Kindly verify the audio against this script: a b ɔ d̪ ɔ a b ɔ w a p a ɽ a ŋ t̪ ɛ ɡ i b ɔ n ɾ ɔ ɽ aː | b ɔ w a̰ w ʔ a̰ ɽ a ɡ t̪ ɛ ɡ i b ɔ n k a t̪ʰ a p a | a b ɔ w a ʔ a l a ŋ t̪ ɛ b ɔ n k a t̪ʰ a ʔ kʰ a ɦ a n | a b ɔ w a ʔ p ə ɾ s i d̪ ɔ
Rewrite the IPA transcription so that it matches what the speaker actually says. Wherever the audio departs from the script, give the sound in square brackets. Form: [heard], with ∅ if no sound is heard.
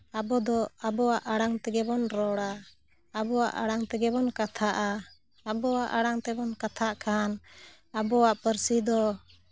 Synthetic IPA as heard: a b ɔ d̪ ɔ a b ɔ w a [ʔ] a ɽ a ŋ t̪ ɛ ɡ [ɛ] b ɔ n ɾ ɔ ɽ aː | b ɔ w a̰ [∅] ʔ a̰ ɽ a [ŋ] t̪ ɛ ɡ [ɛ] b ɔ n k a t̪ʰ a [ʔ] a | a b ɔ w a ʔ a [ɽ] a ŋ t̪ ɛ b ɔ n k a t̪ʰ a ʔ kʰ a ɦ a n | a b ɔ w a ʔ p ə ɾ s i d̪ ɔ